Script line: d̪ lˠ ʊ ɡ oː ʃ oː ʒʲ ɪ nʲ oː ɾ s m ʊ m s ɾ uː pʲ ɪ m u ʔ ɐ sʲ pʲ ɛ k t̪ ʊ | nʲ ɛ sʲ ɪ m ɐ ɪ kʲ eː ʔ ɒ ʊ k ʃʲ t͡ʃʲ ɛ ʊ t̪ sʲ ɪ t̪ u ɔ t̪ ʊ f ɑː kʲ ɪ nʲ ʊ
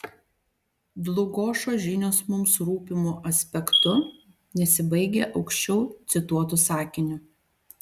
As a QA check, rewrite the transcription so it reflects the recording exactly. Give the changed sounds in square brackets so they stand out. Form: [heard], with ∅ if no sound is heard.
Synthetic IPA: d̪ lˠ ʊ ɡ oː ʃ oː ʒʲ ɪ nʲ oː [∅] s m ʊ m s ɾ uː pʲ ɪ m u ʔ ɐ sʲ pʲ ɛ k t̪ ʊ | nʲ ɛ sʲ ɪ [b] ɐ ɪ [ɡʲ] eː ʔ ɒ ʊ k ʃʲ t͡ʃʲ ɛ ʊ t̪ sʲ ɪ t̪ u ɔ t̪ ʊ [s] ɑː kʲ ɪ nʲ ʊ

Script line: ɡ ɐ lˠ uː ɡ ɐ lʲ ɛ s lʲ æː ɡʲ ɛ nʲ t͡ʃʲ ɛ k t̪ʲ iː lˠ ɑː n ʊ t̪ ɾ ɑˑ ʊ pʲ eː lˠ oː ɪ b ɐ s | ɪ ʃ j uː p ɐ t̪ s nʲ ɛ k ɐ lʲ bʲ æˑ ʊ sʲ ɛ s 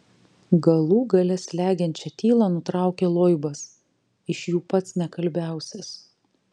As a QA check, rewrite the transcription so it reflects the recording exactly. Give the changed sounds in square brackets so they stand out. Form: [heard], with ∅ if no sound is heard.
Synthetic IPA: ɡ ɐ lˠ uː ɡ ɐ lʲ ɛ s lʲ æː ɡʲ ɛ nʲ t͡ʃʲ ɛ [∅] t̪ʲ iː lˠ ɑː n ʊ t̪ ɾ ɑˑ ʊ [kʲ] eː lˠ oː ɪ b ɐ s | ɪ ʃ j uː p ɐ t̪ s nʲ ɛ k ɐ lʲ bʲ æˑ ʊ sʲ ɛ s

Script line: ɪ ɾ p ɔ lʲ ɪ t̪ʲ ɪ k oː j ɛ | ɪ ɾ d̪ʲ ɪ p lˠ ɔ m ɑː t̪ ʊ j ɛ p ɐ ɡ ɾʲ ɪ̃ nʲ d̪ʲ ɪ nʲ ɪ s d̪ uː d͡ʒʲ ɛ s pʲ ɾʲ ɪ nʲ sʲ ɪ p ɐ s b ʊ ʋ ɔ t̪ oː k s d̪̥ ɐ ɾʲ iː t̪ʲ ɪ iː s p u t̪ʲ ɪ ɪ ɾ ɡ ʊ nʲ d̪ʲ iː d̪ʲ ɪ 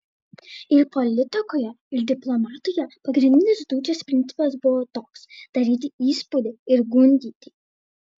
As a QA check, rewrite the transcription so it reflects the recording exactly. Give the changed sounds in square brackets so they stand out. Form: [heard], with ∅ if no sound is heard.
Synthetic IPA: ɪ ɾ p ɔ lʲ ɪ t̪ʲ ɪ k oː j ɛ | ɪ ɾ d̪ʲ ɪ p lˠ ɔ m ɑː t̪ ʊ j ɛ p ɐ ɡ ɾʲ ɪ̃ nʲ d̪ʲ ɪ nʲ ɪ s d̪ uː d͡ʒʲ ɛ s pʲ ɾʲ ɪ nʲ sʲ ɪ p ɐ s b ʊ ʋ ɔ t̪ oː k s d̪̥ ɐ ɾʲ iː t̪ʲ ɪ iː s p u [d̪ʲ] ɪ ɪ ɾ ɡ ʊ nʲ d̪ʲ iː [t̪ʲ] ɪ

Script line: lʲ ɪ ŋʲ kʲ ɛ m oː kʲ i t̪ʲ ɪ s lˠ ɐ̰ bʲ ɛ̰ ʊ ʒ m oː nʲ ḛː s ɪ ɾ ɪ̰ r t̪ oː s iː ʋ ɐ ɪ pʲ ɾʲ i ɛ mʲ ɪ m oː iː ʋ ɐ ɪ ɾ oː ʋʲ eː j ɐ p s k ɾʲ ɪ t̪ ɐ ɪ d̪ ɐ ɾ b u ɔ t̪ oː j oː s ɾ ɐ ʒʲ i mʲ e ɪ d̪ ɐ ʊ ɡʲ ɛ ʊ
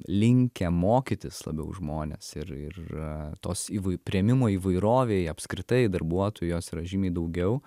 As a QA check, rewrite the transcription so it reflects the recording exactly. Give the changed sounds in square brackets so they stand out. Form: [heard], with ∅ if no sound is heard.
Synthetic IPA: lʲ ɪ ŋʲ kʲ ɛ m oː kʲ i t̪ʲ ɪ s lˠ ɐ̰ bʲ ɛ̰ ʊ ʒ m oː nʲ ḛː s ɪ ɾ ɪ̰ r t̪ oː s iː ʋ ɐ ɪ pʲ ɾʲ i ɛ mʲ ɪ m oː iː ʋ ɐ ɪ ɾ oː ʋʲ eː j ɐ p s k ɾʲ ɪ t̪ ɐ ɪ d̪ ɐ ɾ b u ɔ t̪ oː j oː s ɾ ɐ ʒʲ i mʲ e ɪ d̪ ɐ ʊ ɡʲ ɛ ʊ

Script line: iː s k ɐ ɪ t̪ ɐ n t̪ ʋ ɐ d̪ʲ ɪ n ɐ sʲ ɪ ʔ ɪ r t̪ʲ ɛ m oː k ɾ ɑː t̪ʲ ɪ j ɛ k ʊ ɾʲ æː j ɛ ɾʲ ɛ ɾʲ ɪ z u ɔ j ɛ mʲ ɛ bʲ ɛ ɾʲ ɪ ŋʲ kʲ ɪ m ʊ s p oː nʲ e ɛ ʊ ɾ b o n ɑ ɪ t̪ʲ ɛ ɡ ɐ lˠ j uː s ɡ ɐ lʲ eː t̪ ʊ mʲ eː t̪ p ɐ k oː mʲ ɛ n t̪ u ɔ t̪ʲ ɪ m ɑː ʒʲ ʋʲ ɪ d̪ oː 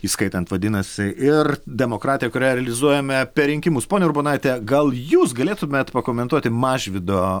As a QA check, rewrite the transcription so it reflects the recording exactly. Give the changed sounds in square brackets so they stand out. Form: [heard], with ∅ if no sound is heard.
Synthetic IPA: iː s k ɐ ɪ t̪ ɐ n t̪ ʋ ɐ d̪ʲ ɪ n ɐ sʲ ɪ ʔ ɪ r [d̪ʲ] ɛ m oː k ɾ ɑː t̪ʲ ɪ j ɛ k ʊ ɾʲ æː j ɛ ɾʲ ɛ [lʲ] ɪ z u ɔ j ɛ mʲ ɛ [pʲ] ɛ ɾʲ ɪ ŋʲ kʲ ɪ m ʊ s p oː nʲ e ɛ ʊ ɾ b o n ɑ ɪ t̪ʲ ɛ ɡ ɐ lˠ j uː s ɡ ɐ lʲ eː t̪ ʊ mʲ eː t̪ p ɐ k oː mʲ ɛ n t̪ u ɔ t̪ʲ ɪ m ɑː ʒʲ ʋʲ ɪ d̪ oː

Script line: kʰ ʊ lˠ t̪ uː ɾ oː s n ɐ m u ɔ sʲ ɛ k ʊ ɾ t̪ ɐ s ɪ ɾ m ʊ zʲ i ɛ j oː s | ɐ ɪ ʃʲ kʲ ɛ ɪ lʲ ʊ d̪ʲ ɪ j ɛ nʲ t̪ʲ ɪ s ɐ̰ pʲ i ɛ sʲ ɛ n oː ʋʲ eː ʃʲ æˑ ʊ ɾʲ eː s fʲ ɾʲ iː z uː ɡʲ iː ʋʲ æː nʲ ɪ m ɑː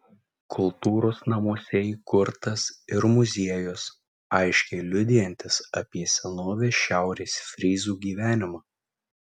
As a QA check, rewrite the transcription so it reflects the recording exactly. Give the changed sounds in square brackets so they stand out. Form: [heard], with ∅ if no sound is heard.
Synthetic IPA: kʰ ʊ lˠ t̪ uː ɾ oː s n ɐ m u ɔ sʲ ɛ k ʊ ɾ t̪ ɐ s ɪ ɾ m ʊ zʲ i ɛ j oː s | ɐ ɪ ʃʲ kʲ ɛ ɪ lʲ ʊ d̪ʲ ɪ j ɛ nʲ t̪ʲ ɪ s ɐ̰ pʲ i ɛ sʲ ɛ n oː ʋʲ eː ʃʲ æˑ ʊ ɾʲ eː s fʲ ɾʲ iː z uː ɡʲ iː ʋʲ æː nʲ ɪ m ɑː

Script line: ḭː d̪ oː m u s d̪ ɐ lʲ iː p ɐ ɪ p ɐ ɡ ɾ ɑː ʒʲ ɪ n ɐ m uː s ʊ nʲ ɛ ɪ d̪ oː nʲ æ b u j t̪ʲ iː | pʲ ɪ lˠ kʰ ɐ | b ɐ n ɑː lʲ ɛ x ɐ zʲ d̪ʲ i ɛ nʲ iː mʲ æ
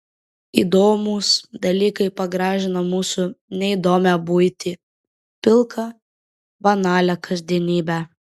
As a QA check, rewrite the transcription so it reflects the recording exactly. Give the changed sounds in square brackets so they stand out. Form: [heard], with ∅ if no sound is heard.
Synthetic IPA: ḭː d̪ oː m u s d̪ ɐ lʲ iː [k] ɐ ɪ p ɐ ɡ ɾ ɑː ʒʲ ɪ n ɐ m uː s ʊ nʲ ɛ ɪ d̪ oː [mʲ] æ b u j t̪ʲ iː | pʲ ɪ lˠ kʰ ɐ | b ɐ n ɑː lʲ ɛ [k] ɐ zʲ d̪ʲ i ɛ nʲ iː [bʲ] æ

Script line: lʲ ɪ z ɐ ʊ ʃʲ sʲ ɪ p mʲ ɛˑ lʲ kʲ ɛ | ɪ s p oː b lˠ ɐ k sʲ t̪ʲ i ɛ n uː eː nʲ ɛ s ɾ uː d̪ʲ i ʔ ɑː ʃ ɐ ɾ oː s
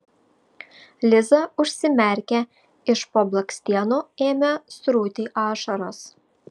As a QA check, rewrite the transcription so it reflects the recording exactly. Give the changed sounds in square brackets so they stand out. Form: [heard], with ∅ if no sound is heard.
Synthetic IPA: lʲ ɪ z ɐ ʊ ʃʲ sʲ ɪ [∅] mʲ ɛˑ [ɾʲ] kʲ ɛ | ɪ [ʃ] p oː b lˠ ɐ k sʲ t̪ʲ i ɛ n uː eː [mʲ] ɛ s ɾ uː [t̪ʲ] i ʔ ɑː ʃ ɐ ɾ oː s

